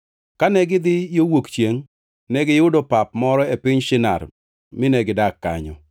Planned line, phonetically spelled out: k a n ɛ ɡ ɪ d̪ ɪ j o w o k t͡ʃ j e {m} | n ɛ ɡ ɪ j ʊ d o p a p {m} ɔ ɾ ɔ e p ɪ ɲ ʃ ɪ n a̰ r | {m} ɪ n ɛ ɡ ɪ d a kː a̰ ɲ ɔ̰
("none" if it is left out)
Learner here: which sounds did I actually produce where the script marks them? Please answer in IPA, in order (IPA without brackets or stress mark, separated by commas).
ŋ, m, m